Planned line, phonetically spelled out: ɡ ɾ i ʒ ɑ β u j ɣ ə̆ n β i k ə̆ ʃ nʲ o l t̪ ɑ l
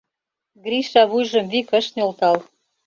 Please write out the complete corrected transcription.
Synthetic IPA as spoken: ɡ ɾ i ʃ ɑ β u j ʒ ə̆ m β i k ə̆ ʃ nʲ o l t̪ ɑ l